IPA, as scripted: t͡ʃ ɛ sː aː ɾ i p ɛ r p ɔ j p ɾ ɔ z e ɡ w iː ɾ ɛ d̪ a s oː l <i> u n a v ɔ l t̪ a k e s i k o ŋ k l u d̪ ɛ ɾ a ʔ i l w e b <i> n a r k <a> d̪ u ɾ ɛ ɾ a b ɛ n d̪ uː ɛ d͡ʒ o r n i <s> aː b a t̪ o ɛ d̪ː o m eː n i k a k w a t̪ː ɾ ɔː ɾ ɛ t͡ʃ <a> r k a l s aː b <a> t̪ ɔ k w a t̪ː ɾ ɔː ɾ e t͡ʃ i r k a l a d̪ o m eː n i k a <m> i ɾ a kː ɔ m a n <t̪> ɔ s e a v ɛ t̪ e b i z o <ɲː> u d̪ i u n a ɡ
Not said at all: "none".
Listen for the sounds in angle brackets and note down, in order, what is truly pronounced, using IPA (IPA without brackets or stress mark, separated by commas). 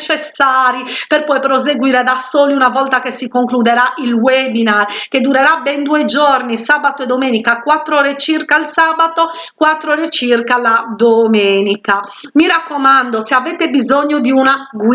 i, i, e, s, i, a, m, d̪, ɲː